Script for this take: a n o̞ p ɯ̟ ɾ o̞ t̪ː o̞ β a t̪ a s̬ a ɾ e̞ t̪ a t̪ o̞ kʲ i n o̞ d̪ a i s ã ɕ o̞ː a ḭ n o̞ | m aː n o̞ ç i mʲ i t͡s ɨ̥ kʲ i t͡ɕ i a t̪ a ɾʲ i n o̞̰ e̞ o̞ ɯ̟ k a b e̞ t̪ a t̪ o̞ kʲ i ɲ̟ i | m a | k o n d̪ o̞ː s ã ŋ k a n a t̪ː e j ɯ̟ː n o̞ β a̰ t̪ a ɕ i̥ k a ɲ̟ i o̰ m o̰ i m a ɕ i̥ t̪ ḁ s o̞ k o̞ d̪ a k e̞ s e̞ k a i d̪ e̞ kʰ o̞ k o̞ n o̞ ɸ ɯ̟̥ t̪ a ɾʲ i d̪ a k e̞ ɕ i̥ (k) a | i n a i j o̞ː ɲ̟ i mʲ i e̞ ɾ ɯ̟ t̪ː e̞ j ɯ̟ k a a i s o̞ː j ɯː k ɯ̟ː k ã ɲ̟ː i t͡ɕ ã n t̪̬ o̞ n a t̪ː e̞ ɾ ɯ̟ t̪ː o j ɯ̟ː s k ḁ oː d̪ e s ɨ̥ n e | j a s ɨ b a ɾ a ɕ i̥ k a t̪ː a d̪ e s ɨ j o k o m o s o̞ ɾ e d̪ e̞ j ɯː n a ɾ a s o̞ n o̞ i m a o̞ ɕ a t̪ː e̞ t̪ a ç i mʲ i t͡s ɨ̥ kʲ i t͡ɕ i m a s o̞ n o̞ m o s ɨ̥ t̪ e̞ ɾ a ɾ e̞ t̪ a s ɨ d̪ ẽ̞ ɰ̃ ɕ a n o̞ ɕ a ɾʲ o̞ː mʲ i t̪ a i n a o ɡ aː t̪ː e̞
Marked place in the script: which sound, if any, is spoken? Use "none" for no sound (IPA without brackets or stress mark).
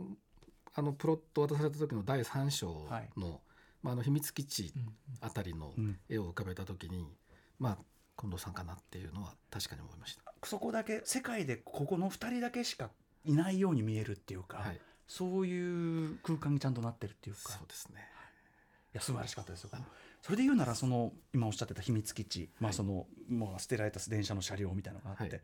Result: k